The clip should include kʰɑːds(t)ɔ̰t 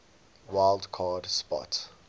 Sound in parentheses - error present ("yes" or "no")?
yes